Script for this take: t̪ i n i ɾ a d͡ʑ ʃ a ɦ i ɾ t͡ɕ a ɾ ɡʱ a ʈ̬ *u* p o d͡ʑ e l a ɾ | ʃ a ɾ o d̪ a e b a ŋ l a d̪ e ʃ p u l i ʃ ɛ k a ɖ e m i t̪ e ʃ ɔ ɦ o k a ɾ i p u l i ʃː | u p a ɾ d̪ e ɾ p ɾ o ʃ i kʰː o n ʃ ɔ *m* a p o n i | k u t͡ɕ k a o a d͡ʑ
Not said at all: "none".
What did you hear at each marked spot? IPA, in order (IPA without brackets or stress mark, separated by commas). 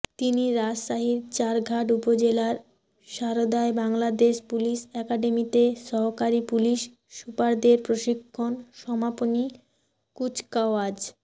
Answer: u, m